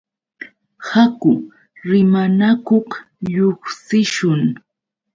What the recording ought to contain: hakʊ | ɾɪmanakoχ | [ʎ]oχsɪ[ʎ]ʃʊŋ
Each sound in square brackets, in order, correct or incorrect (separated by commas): correct, incorrect